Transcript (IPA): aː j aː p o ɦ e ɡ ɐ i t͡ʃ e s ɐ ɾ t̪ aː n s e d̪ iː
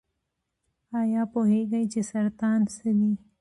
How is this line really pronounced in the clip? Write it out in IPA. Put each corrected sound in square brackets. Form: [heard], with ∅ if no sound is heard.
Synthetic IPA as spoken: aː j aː p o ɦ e ɡ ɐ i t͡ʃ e s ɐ ɾ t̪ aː n s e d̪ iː